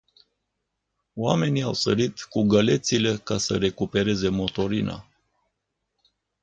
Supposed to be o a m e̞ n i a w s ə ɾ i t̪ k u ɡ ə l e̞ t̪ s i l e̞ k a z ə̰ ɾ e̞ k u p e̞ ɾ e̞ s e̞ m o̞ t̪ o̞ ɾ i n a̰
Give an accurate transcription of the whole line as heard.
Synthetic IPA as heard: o a m e̞ n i a w s ə ɾ i t̪ k u ɡ ə l e̞ t̪ s i l e̞ k a s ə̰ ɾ e̞ k u p e̞ ɾ e̞ z e̞ m o̞ t̪ o̞ ɾ i n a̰